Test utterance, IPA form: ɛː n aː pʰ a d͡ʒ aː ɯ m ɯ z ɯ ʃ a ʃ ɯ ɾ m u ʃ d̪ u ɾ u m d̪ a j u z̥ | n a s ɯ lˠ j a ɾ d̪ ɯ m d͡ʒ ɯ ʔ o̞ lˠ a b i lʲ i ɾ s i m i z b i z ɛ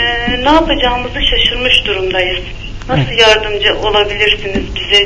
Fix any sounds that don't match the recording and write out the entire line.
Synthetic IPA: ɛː n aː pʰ a d͡ʒ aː ɯ m ɯ z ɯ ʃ a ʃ ɯ ɾ m ɯ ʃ d̪ u ɾ u m d̪ a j ɯ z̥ | n a s ɯ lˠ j a ɾ d̪ ɯ m d͡ʒ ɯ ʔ o̞ lˠ a b i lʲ i ɾ s i n i z b i z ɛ